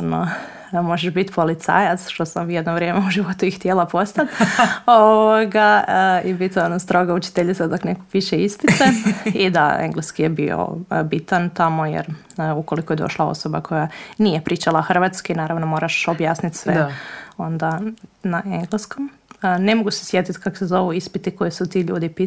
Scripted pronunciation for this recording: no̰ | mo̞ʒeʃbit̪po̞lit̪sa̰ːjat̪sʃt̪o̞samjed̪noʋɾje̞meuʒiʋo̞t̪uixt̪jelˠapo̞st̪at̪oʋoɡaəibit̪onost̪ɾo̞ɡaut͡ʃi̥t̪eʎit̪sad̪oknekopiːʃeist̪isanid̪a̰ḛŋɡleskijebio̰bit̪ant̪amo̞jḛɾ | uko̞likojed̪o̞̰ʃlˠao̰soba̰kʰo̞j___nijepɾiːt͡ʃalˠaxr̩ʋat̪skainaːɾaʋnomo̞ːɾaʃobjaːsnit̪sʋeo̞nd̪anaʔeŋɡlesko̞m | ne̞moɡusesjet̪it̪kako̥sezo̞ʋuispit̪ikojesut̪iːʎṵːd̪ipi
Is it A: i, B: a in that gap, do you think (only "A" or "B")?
B